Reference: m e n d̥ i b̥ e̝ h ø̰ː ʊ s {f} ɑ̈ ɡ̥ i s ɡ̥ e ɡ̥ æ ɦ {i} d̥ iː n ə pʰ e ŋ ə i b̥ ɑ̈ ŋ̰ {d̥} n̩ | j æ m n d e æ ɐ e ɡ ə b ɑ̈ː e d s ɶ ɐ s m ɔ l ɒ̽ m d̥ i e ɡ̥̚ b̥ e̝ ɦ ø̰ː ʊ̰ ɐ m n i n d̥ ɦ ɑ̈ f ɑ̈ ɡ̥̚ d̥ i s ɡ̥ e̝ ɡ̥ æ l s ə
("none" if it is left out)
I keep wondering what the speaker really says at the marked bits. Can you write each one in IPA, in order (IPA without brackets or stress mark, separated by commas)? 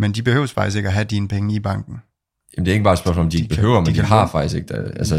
f, æ, ɡ̥